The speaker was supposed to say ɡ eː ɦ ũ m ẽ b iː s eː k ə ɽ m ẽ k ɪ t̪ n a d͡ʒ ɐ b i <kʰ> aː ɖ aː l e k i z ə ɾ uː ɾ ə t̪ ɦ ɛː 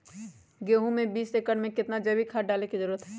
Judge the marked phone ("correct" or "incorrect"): correct